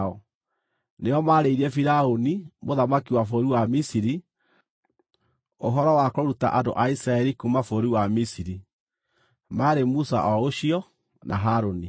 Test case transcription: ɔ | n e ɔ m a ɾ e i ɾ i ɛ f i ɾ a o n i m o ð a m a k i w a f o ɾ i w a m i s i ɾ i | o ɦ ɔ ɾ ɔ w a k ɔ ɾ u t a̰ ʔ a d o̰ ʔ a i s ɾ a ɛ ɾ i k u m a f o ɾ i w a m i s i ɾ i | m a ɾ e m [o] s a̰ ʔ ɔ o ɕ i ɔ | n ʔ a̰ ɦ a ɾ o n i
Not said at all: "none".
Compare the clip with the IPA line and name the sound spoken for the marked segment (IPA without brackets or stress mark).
u